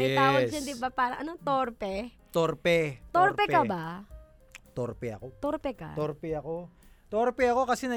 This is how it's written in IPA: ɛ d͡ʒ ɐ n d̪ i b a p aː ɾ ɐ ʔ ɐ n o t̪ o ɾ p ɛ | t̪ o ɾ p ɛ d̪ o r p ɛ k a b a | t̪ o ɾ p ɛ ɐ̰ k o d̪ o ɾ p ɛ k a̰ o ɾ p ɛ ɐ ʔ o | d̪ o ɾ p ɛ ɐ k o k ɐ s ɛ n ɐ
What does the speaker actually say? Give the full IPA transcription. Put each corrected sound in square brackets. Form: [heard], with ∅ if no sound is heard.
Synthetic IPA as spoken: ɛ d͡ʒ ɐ n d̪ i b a p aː ɾ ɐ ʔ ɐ n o t̪ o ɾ p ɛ | t̪ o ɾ p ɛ [t̪] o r p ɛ k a b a | t̪ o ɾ p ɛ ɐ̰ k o [t̪] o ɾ p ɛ k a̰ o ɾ p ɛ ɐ [k] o | [t̪] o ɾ p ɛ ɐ k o k ɐ s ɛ n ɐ